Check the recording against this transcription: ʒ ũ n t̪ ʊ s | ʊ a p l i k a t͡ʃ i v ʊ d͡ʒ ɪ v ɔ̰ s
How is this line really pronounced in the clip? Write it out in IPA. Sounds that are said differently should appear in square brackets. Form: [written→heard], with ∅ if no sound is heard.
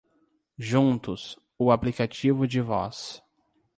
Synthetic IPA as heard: ʒ ũ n t̪ ʊ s | ʊ a p l i k a t͡ʃ i v ʊ d͡ʒ ɪ v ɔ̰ s